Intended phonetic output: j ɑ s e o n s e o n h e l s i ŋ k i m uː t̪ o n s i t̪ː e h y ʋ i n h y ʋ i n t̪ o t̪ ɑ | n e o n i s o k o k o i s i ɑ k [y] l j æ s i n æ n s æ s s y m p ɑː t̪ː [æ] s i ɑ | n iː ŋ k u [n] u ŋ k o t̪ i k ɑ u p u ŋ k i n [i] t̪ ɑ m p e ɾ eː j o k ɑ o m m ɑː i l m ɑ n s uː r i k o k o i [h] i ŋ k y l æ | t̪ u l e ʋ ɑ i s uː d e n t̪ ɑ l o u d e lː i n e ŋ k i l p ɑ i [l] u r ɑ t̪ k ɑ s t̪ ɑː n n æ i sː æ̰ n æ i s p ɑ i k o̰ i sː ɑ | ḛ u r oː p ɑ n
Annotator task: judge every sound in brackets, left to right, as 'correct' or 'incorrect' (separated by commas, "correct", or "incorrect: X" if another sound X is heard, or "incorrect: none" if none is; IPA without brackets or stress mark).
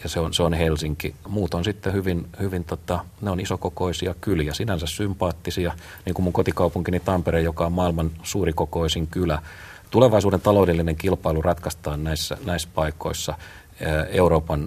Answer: correct, incorrect: i, incorrect: m, correct, incorrect: s, correct